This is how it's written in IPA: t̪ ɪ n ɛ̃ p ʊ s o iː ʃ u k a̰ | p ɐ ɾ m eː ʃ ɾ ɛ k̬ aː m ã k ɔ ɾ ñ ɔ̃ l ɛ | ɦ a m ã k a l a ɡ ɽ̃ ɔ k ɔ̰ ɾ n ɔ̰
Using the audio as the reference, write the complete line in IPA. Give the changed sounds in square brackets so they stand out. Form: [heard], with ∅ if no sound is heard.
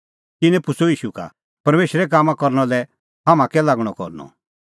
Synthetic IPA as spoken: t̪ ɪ n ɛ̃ p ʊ s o iː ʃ u k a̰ | p ɐ ɾ m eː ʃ ɾ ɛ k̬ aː m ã k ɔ ɾ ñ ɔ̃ l ɛ | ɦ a m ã k [ɛ] l a ɡ ɽ̃ ɔ k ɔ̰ ɾ n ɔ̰